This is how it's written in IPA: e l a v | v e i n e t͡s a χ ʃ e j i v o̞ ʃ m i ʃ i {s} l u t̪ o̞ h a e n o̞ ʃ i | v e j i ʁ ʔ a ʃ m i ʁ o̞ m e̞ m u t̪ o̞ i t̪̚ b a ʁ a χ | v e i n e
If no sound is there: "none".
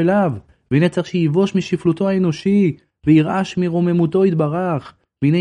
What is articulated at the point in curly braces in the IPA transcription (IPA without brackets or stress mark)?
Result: f